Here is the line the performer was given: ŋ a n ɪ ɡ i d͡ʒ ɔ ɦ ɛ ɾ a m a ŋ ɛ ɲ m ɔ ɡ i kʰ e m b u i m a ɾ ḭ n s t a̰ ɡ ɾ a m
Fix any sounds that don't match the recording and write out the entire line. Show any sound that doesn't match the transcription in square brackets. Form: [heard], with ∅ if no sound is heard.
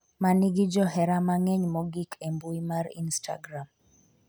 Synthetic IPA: [m] a n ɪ ɡ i d͡ʒ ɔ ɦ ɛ ɾ a m a ŋ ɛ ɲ m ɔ ɡ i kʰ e m b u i m a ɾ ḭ n s t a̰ ɡ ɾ a m